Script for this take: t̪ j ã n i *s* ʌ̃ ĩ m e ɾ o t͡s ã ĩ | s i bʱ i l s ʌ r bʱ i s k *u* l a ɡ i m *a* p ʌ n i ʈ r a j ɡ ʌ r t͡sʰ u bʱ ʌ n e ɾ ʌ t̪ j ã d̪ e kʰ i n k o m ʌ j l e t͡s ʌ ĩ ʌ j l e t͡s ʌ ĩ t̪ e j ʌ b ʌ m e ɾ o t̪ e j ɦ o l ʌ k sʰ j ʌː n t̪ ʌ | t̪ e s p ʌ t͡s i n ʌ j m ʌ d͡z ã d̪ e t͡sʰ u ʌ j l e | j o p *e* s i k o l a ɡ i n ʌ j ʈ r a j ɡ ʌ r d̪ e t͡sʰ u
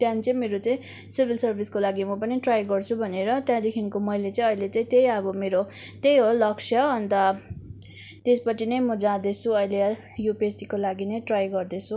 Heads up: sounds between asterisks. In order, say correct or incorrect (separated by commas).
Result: incorrect, incorrect, incorrect, correct